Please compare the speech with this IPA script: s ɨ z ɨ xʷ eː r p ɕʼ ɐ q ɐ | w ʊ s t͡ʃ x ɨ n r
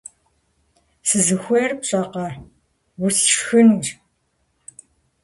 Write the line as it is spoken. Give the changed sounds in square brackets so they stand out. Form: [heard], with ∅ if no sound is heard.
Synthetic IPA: s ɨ z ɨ xʷ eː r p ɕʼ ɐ q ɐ | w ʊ s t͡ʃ x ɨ n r